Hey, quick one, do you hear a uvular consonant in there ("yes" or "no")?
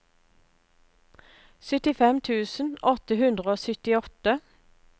yes